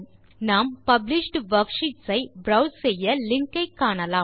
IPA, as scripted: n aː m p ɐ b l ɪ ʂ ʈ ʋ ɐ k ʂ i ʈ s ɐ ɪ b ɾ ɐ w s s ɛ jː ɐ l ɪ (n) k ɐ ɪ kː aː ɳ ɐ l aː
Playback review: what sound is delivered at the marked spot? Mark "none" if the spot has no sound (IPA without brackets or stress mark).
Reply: ŋ